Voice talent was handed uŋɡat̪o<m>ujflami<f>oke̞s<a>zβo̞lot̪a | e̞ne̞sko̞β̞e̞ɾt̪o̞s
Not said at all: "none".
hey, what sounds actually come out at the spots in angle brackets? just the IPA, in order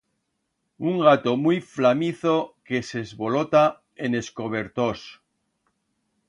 m, θ, e

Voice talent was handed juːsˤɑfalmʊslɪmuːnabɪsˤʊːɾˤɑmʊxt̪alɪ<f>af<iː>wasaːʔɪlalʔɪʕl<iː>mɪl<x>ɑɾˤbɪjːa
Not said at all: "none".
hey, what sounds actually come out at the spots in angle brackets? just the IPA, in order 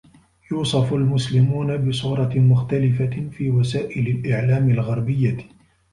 f, iː, aː, ɣ

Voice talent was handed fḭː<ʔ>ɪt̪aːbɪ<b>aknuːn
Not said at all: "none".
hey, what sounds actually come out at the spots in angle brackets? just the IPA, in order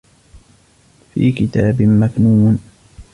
k, m

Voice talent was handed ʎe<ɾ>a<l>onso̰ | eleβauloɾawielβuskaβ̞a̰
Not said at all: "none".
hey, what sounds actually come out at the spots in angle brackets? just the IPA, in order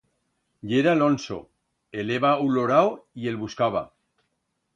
ɾ, l

